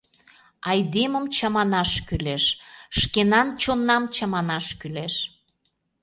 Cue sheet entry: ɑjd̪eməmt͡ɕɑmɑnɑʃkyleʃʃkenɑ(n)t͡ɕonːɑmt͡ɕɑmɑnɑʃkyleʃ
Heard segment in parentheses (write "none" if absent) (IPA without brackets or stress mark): n